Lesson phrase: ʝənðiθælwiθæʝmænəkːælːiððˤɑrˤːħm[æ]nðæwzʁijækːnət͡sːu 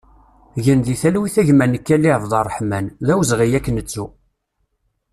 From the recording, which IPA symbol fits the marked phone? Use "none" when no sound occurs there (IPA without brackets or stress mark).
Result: æ